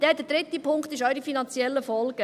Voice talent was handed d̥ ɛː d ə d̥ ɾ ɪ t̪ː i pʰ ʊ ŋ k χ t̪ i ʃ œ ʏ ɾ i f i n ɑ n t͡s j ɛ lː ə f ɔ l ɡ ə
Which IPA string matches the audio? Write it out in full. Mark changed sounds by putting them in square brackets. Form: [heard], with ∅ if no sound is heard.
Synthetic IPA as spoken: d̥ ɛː d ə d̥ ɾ ɪ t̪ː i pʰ ʊ ŋ k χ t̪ [ɪ] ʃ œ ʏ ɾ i f i n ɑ n t͡s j ɛ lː ə f ɔ l ɡ ə